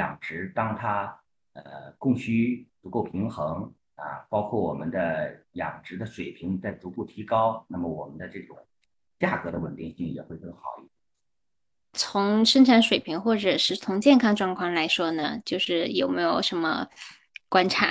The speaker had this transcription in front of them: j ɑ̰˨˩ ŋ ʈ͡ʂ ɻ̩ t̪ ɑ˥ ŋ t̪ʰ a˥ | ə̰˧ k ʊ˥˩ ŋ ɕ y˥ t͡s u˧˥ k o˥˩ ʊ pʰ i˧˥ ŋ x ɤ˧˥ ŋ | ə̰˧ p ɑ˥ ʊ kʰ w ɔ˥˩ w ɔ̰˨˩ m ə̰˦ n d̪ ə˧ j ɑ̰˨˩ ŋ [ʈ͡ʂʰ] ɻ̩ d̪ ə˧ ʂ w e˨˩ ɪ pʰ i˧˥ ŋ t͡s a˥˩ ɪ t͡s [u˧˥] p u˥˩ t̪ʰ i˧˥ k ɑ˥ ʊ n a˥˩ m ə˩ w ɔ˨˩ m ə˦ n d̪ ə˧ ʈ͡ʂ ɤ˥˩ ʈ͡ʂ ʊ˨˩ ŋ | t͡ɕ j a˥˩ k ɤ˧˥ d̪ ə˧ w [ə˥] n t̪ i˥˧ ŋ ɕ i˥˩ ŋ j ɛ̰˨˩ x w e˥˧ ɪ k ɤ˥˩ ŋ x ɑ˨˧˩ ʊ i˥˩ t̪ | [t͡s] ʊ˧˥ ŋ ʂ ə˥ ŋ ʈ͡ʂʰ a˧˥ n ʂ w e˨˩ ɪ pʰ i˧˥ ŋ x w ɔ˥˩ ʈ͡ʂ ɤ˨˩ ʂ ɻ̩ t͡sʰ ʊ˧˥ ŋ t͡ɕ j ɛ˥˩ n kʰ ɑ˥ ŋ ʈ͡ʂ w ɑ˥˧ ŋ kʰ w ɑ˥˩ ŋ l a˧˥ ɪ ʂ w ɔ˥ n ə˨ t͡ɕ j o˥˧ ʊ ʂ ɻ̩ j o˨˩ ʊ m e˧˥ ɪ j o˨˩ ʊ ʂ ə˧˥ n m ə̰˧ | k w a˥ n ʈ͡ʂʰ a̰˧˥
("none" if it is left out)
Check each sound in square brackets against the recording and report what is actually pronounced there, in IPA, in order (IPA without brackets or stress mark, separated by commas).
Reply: ʈ͡ʂ, u˧˥, ə˨˩, t͡sʰ